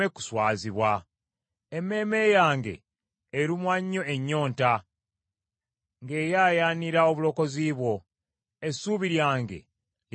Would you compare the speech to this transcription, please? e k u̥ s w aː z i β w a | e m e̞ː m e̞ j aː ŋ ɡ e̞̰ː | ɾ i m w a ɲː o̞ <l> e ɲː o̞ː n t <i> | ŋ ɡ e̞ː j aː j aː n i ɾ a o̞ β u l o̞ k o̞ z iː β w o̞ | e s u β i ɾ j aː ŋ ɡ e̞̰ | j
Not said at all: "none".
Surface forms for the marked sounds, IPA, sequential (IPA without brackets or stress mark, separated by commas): none, a